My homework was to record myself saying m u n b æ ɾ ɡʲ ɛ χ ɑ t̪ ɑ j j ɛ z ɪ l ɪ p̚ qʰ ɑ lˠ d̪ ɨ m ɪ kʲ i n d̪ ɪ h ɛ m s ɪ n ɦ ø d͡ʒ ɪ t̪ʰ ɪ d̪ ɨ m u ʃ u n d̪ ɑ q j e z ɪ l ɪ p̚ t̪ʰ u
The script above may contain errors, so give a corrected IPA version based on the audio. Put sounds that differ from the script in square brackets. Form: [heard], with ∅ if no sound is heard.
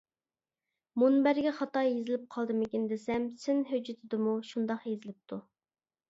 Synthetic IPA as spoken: m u n b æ ɾ ɡʲ ɛ χ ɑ t̪ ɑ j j [e] z ɪ l ɪ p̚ qʰ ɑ lˠ d̪ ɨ m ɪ kʲ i n d̪ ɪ [s] ɛ m s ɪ n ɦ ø d͡ʒ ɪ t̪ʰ ɪ d̪ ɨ m u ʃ u n d̪ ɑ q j e z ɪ l ɪ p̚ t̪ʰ u

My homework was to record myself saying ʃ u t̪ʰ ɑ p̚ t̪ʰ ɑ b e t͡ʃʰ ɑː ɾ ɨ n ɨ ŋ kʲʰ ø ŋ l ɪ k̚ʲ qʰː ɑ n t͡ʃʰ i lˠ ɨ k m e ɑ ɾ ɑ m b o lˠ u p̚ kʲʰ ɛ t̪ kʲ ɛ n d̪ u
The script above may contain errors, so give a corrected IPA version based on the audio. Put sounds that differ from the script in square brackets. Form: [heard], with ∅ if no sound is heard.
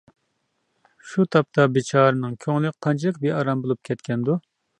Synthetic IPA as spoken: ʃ u t̪ʰ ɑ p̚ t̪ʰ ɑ b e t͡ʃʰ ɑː ɾ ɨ n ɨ ŋ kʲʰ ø ŋ l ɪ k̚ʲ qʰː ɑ n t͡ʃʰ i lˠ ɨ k [b] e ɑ ɾ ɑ m b o lˠ u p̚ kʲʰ ɛ t̪ kʲ ɛ n d̪ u

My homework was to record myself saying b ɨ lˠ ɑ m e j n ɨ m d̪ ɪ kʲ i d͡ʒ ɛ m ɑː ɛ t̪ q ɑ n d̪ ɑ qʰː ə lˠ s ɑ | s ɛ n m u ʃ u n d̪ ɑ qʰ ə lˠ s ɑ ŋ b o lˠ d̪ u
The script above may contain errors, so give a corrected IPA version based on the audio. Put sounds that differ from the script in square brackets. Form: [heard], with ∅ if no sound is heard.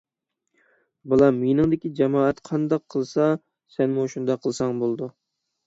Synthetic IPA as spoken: b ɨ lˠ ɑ m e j n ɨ [ŋ] d̪ ɪ kʲ i d͡ʒ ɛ m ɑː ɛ t̪ [qʰ] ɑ n d̪ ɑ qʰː ə lˠ s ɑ | s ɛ n m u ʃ u n d̪ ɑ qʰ ə lˠ s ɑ ŋ b o lˠ d̪ u

